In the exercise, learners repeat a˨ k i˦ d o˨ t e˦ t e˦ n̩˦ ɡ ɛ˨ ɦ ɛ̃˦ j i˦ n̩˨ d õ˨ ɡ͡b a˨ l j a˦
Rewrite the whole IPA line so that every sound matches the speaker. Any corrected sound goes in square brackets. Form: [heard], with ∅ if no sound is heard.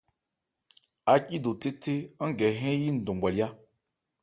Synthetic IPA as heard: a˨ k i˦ d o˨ t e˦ t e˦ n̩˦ ɡ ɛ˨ ɦ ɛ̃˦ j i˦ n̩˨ d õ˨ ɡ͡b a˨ l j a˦